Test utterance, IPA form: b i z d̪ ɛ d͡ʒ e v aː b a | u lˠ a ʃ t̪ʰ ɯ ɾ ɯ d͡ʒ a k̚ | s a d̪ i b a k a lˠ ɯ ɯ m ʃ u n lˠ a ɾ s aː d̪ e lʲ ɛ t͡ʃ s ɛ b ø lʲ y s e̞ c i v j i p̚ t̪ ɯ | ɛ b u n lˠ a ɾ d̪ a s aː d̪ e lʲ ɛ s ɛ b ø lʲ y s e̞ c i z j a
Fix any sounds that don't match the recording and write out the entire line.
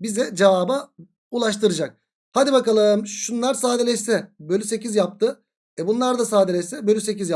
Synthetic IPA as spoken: b i z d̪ ɛ d͡ʒ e v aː b a | u lˠ a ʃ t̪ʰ ɯ ɾ ɯ d͡ʒ a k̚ | h a d̪ i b a k a lˠ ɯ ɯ m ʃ u n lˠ a ɾ s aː d̪ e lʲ ɛ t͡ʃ s ɛ b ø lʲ y s e̞ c i z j a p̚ t̪ ɯ | ɛ b u n lˠ a ɾ d̪ a s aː d̪ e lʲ ɛ s ɛ b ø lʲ y s e̞ c i z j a